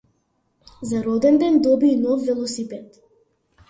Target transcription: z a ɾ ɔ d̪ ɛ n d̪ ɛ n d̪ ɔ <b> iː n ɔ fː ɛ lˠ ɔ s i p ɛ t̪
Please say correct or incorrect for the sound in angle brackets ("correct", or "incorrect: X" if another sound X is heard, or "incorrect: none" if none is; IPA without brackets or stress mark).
correct